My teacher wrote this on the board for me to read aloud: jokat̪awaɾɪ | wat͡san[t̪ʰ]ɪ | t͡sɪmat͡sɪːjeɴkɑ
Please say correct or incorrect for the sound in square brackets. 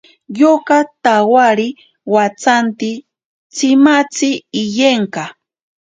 incorrect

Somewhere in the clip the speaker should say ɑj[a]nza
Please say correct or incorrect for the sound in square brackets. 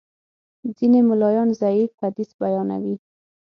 incorrect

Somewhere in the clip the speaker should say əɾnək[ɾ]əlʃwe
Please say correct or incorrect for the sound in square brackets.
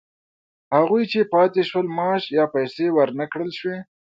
incorrect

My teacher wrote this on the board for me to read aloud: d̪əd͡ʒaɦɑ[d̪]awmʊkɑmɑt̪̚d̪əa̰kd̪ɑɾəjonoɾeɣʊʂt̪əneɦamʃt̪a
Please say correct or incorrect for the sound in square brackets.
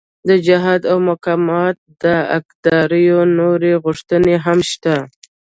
correct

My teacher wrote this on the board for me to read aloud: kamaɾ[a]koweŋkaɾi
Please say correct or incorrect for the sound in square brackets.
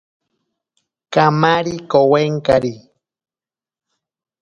incorrect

